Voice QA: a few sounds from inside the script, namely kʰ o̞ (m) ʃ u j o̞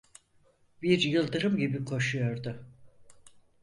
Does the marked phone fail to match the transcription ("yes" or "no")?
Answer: yes